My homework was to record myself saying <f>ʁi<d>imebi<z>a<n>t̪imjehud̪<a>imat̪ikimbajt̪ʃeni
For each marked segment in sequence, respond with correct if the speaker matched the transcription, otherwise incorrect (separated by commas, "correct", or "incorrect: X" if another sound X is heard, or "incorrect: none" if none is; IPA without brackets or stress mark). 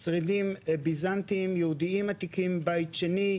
incorrect: s, correct, correct, correct, incorrect: i